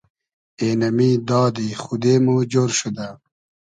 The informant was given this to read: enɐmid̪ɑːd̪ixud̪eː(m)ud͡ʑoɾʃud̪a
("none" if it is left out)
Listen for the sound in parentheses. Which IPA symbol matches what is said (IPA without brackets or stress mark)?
m